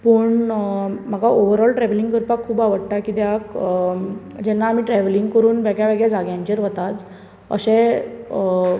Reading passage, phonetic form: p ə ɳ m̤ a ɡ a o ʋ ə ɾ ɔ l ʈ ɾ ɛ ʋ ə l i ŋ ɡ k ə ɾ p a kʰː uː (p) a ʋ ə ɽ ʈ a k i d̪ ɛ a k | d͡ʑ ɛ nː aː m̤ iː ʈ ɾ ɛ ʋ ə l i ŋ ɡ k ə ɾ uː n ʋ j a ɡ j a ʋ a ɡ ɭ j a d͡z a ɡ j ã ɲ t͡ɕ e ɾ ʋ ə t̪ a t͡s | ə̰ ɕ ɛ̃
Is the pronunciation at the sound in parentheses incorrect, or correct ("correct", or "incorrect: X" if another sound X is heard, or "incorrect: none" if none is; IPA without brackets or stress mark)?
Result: incorrect: b